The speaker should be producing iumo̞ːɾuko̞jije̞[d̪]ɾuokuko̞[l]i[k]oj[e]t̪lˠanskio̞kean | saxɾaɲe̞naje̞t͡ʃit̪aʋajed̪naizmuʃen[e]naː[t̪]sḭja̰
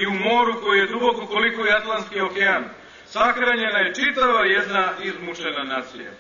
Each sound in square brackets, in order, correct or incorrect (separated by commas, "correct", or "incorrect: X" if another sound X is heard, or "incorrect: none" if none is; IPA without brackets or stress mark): correct, correct, correct, incorrect: a, incorrect: a, correct